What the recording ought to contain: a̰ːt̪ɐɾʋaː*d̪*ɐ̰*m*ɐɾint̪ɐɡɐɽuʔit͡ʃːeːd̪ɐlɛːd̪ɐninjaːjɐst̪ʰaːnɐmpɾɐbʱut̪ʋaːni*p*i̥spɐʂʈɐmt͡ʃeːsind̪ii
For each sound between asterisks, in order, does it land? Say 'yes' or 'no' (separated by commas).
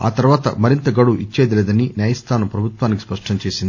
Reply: no, yes, no